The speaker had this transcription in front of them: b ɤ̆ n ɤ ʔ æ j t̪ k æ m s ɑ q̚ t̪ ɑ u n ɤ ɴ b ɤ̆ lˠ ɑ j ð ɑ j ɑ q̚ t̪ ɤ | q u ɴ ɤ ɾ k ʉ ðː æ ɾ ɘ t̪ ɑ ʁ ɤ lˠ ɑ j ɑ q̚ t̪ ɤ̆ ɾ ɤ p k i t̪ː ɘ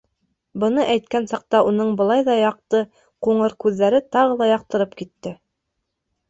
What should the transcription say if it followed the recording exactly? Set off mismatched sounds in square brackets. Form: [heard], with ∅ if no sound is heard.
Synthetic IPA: b ɤ̆ n ɤ ʔ æ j t̪ k æ [n] s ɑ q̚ t̪ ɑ u n ɤ ɴ b ɤ̆ lˠ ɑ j ð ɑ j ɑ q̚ t̪ ɤ | q u ɴ ɤ ɾ k ʉ ðː æ ɾ ɘ t̪ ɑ ʁ ɤ lˠ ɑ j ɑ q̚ t̪ ɤ̆ ɾ ɤ p k i t̪ː ɘ

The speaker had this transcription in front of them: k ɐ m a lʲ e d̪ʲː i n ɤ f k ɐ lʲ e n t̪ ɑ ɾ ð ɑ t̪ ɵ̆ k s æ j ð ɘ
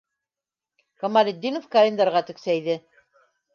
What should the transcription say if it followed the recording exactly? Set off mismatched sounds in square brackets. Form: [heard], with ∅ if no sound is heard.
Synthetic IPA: k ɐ m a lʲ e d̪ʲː i n [o] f k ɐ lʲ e n [d̪] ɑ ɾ [ʁ] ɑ t̪ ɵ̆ k s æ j ð ɘ

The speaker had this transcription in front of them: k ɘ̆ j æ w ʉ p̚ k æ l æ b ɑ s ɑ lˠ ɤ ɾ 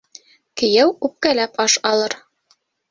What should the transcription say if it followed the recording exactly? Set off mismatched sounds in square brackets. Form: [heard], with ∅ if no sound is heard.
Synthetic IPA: k ɘ̆ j æ w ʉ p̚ k æ l æ [p] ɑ [ʃ] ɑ lˠ ɤ ɾ

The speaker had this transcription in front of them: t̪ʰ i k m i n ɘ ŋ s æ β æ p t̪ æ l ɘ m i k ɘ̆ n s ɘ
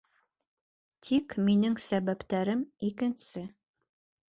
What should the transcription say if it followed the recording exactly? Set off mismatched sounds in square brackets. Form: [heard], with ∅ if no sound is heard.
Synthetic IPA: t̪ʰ i k m i n ɘ ŋ s æ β æ p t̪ æ [ɾ] ɘ m i k ɘ̆ n s ɘ

